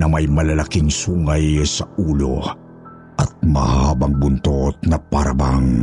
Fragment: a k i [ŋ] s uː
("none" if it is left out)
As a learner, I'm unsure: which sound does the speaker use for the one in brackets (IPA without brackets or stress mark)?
ŋ